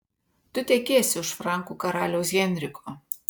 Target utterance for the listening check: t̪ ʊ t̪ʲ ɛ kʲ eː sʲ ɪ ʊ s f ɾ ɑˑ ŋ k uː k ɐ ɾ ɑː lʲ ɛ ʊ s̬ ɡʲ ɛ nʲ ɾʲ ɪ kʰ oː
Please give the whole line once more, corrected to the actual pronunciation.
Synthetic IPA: t̪ ʊ t̪ʲ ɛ kʲ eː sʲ ɪ ʊ ʃ f ɾ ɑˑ ŋ k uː k ɐ ɾ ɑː lʲ ɛ ʊ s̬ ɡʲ ɛ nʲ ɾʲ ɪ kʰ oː